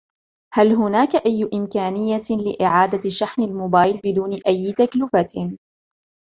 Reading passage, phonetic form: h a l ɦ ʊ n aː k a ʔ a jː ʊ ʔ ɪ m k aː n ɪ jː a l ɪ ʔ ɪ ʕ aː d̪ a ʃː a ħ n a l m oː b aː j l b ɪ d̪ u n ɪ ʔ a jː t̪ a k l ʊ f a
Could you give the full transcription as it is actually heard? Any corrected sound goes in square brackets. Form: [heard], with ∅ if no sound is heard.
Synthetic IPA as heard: h a l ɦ ʊ n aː k a ʔ a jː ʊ ʔ ɪ m k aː n ɪ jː a l ɪ ʔ ɪ ʕ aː d̪ a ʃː a ħ n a l m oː b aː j l b ɪ d̪ [uː] n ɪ ʔ a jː t̪ a k l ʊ f a